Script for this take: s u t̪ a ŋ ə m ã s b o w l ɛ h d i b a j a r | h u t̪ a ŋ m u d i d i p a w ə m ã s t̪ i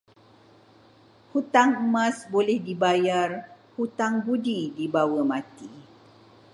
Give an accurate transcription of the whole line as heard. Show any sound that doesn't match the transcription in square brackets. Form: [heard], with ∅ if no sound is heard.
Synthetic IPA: [h] u t̪ a ŋ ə m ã s b o [∅] l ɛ h d i b a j a r | h u t̪ a ŋ [b] u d i d i [b] a w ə m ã [∅] t̪ i